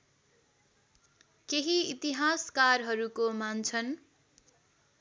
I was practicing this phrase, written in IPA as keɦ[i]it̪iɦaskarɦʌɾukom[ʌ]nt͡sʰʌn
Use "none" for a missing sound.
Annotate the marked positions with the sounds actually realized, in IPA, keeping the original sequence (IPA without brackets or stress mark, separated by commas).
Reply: i, a